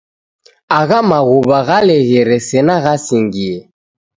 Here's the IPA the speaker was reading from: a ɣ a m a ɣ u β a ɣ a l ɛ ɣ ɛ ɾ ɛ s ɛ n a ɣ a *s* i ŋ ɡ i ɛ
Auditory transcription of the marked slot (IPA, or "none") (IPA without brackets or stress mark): s